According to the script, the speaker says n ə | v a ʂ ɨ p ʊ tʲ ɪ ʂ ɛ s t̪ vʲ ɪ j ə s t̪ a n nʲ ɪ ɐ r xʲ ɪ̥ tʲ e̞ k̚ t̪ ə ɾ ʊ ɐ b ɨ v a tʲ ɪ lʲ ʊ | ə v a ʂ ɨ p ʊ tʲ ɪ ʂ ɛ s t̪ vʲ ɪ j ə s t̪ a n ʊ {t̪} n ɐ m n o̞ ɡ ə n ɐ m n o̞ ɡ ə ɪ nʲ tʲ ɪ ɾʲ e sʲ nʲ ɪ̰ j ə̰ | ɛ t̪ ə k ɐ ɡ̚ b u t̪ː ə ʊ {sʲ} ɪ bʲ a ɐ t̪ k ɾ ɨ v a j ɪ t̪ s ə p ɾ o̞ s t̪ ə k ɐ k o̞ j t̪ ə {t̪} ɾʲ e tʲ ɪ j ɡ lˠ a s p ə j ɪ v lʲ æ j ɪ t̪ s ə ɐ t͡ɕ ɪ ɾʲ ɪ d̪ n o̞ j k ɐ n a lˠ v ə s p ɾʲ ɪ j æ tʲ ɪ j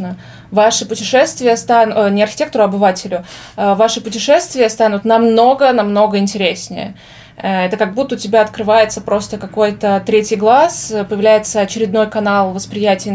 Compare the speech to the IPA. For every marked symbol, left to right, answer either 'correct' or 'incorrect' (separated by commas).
correct, incorrect, correct